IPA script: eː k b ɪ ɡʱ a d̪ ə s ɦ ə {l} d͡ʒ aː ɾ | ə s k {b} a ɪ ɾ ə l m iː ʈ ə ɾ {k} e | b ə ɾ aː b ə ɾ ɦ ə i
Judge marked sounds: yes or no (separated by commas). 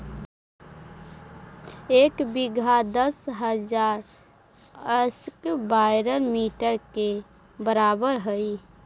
no, yes, yes